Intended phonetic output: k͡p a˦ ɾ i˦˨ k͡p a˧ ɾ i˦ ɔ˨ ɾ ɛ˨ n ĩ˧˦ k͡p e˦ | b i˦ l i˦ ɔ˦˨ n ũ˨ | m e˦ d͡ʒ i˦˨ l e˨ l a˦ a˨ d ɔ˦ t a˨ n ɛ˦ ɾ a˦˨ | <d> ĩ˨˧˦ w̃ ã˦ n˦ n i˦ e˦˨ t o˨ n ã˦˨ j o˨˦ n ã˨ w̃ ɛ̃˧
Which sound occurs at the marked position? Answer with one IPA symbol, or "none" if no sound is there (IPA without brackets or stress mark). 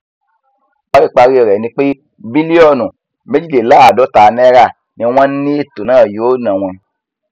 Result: n